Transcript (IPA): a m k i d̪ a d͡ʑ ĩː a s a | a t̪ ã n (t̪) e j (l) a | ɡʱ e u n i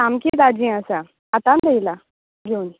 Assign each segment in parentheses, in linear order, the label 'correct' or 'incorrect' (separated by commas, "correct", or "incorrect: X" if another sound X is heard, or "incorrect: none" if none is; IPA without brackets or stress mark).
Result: incorrect: d̪, correct